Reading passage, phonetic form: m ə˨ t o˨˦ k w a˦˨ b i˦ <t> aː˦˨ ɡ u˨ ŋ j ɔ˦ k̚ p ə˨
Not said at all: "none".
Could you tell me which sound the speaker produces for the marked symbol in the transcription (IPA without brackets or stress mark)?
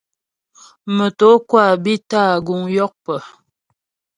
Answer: t